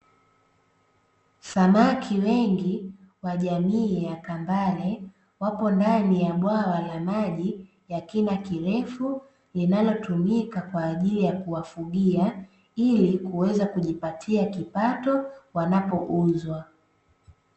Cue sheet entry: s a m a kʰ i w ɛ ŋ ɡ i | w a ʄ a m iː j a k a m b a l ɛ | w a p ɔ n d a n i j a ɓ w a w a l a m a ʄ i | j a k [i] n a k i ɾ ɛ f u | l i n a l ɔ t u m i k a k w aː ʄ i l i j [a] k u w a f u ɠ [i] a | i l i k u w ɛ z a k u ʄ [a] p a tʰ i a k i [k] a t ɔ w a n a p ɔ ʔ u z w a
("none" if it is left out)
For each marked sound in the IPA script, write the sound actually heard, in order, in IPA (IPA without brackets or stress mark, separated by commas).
i, a, i, i, p